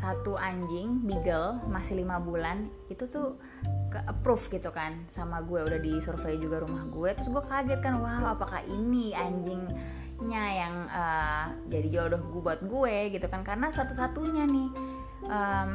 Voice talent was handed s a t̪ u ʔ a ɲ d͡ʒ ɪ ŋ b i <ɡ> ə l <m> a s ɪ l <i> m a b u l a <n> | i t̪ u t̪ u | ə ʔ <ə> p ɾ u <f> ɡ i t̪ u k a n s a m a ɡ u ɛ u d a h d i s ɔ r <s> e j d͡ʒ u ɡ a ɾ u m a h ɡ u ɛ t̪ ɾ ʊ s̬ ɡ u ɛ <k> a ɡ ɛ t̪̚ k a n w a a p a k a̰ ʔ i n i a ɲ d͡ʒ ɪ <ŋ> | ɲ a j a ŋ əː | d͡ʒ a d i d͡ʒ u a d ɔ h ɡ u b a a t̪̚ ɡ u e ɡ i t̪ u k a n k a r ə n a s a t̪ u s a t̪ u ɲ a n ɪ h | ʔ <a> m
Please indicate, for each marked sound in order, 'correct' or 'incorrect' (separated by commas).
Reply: correct, correct, correct, correct, correct, correct, incorrect, correct, correct, incorrect